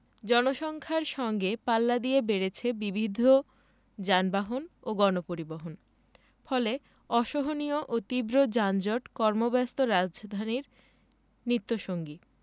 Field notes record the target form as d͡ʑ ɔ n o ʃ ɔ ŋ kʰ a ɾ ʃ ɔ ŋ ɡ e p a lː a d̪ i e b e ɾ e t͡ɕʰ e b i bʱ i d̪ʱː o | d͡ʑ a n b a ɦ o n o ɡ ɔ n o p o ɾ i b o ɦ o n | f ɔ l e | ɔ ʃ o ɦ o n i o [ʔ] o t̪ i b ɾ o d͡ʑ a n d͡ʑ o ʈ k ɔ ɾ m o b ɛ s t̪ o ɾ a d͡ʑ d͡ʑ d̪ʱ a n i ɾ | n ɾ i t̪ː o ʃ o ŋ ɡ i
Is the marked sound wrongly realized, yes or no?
no